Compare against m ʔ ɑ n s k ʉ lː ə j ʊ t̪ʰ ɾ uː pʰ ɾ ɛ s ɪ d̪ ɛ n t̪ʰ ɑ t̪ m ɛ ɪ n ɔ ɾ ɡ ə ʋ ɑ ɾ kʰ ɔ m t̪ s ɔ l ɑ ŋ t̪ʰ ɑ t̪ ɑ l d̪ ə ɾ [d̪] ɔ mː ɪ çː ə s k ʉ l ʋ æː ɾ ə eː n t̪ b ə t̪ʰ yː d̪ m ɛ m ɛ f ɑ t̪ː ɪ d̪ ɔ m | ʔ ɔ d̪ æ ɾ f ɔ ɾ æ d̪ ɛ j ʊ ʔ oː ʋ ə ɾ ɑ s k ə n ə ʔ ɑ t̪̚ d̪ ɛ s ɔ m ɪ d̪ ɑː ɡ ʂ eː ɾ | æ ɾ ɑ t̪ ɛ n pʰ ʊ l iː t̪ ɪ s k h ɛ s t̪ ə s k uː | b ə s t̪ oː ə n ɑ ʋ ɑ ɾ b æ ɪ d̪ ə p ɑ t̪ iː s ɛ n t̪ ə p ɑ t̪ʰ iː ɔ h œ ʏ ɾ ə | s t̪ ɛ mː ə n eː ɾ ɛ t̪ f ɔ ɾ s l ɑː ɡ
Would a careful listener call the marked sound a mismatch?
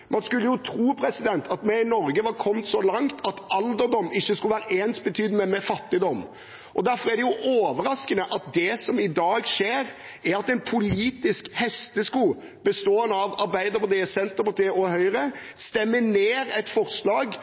no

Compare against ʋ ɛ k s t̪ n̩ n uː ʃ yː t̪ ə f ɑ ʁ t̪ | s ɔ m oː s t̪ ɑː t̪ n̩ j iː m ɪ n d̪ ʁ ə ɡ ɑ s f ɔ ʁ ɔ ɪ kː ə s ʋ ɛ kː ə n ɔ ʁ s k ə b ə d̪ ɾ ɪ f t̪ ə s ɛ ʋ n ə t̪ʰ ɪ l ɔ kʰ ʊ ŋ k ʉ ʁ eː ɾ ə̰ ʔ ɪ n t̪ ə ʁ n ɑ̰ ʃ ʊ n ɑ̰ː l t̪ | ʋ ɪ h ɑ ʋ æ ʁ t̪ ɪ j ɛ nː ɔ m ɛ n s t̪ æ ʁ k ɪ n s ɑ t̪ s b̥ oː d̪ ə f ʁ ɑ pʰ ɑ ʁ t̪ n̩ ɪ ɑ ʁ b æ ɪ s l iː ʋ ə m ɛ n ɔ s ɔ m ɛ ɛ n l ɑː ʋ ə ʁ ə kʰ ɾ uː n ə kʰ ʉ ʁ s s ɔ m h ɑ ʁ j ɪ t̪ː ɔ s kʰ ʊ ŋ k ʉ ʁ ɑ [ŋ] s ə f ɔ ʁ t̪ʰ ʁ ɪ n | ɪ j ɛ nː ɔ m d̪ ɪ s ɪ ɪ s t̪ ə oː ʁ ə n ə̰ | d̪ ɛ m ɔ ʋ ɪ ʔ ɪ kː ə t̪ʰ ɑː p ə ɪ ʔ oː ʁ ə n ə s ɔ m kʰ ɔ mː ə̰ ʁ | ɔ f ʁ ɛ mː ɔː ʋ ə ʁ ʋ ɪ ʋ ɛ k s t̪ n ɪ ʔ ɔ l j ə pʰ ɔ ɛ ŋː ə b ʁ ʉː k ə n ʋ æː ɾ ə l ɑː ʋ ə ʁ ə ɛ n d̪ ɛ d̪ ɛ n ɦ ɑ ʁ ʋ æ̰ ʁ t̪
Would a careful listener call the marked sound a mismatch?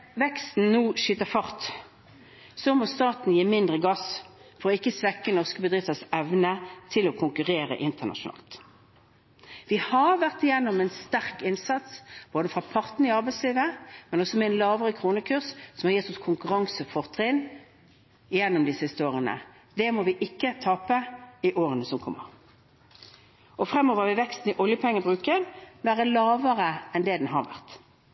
no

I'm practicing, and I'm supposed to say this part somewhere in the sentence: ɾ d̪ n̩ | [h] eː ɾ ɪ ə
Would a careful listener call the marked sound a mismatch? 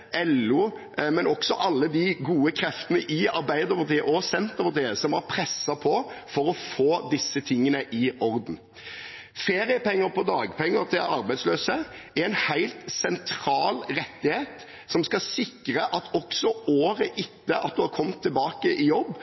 yes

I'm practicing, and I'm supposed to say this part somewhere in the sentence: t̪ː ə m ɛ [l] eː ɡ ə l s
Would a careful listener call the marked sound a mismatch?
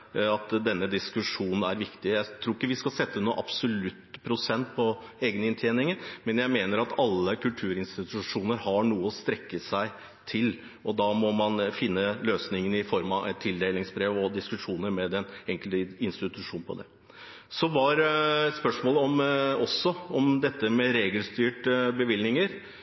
yes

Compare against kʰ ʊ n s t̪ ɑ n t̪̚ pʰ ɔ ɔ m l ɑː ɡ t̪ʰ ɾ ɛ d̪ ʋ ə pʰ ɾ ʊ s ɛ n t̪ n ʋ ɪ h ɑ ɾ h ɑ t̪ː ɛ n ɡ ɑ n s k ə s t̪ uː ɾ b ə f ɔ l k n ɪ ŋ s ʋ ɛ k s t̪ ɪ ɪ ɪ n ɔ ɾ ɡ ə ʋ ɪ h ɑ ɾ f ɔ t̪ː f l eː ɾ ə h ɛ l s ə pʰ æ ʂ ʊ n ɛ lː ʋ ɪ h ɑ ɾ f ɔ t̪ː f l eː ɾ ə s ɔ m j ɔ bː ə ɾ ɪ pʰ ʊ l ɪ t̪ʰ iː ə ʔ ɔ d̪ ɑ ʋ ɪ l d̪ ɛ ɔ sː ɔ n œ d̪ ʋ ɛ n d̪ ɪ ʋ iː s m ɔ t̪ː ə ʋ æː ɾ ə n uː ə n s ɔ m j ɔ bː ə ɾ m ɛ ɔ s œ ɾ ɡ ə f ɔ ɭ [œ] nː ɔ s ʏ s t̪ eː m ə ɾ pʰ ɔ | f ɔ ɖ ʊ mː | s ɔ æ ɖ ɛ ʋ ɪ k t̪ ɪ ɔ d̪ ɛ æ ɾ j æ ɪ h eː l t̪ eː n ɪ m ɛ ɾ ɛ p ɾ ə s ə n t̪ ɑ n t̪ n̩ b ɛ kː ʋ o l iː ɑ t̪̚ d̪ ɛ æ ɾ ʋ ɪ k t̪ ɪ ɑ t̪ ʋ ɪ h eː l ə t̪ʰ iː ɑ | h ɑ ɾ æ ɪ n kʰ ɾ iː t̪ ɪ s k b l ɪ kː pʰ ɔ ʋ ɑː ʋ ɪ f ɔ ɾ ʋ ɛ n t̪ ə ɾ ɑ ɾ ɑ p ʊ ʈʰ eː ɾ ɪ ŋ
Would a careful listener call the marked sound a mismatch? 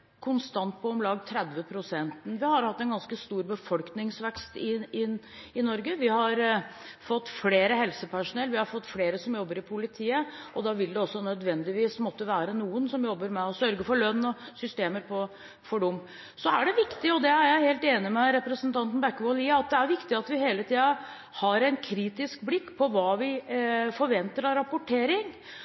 no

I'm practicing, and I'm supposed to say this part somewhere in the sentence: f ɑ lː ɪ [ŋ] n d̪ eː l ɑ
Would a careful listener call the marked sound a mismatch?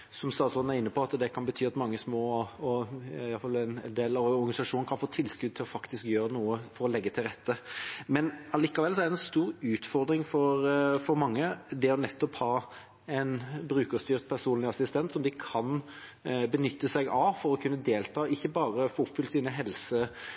yes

